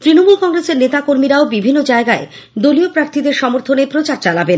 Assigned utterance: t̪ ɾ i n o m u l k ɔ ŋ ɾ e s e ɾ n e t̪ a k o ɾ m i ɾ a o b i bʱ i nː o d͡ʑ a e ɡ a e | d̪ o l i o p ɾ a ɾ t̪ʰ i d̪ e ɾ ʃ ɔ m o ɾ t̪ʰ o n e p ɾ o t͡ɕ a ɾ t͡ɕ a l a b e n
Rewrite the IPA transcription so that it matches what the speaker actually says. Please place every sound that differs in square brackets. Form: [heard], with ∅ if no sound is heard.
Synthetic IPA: t̪ ɾ i n o m u l k ɔ ŋ ɾ e s e ɾ n e t̪ a k o ɾ m i ɾ a o b i bʱ i nː o d͡ʑ a e ɡ a e | d̪ o l i o p ɾ a ɾ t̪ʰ i d̪ e ɾ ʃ ɔ m o ɾ t̪ʰ o n e p ɾ o t͡ɕ a ɾ t͡ɕ a l a b e n